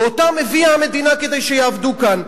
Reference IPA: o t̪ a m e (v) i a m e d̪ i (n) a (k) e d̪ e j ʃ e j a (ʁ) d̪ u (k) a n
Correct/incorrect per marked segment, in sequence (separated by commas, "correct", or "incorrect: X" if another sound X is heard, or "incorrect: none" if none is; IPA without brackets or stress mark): correct, correct, correct, incorrect: v, correct